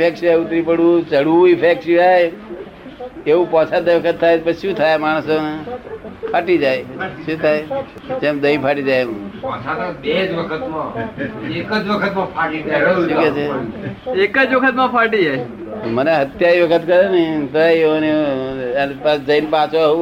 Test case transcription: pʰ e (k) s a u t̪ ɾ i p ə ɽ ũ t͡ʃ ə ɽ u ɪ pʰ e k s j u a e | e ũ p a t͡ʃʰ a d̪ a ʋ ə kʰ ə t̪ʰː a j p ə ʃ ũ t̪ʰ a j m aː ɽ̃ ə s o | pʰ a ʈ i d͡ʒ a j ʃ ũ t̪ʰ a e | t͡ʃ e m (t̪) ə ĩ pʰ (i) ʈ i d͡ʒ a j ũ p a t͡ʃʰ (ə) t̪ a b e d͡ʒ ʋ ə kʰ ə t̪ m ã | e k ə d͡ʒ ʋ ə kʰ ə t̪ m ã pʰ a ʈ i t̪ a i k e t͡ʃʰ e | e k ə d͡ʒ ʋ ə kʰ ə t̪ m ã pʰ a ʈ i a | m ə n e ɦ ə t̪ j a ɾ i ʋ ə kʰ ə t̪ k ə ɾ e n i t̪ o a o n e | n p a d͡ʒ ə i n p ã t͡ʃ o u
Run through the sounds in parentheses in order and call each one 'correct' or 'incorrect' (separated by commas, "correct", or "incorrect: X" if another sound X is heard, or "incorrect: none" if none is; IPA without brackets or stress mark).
correct, incorrect: d̪, incorrect: a, incorrect: a